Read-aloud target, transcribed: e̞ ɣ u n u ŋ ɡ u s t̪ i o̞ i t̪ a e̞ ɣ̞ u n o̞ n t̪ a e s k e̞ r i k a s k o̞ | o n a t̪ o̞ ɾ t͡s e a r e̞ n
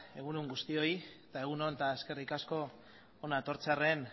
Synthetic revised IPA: e̞ ɣ u n u ŋ ɡ u s t̪ i o̞ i t̪ a e̞ ɣ̞ u n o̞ n t̪ a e s k e̞ r i k a s k o̞ | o n a t̪ o̞ ɾ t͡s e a r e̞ n